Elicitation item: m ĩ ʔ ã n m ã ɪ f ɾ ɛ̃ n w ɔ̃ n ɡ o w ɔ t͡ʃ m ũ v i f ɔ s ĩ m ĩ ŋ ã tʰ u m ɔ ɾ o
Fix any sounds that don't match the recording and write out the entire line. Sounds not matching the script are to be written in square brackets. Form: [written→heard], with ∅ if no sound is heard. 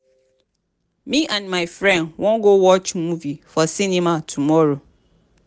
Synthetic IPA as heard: m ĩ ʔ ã n m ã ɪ f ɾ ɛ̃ n w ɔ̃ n ɡ o w ɔ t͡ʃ m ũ v i f ɔ s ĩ [m→n] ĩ [ŋ→m] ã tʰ u m ɔ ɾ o